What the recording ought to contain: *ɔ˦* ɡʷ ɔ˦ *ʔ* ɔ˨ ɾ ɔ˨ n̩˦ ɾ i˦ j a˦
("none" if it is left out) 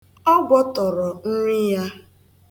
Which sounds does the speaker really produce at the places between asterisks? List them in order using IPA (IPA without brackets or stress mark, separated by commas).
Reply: ɔ˦, t